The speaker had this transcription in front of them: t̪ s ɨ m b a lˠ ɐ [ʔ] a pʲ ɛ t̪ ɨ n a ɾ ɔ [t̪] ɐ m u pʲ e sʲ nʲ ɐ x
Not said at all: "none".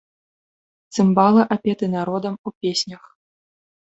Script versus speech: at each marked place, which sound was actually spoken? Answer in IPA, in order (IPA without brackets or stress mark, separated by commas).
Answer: ʔ, d̪